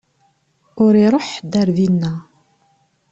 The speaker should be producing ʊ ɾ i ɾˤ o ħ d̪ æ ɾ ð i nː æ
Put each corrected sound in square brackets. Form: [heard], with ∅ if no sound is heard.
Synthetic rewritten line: ʊ ɾ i ɾˤ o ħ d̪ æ ɾ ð i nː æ